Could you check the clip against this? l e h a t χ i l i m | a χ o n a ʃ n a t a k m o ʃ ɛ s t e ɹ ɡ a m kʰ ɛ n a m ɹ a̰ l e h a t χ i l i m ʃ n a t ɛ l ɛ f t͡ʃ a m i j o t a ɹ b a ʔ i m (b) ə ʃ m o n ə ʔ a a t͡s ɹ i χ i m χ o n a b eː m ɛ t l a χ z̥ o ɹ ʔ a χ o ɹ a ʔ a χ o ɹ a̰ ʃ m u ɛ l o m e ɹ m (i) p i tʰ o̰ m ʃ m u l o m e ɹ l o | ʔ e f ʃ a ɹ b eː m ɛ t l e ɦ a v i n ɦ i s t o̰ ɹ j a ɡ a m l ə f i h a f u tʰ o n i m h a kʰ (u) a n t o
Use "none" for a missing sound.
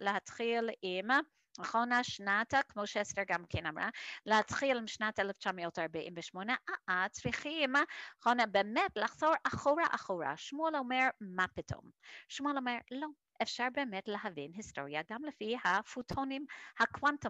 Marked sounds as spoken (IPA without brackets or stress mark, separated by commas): v, a, w